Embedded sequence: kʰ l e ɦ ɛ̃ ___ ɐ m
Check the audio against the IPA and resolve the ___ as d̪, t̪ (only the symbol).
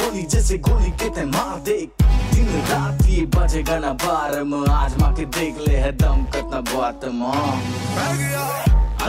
d̪